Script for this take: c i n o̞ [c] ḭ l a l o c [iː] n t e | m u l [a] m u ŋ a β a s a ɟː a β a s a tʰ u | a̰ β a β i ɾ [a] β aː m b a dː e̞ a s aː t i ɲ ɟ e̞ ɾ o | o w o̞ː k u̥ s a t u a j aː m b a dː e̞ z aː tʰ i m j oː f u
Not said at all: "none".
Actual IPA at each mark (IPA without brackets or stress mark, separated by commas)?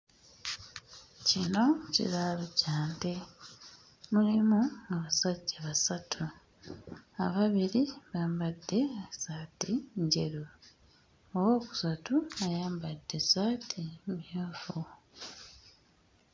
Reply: c, aː, i, i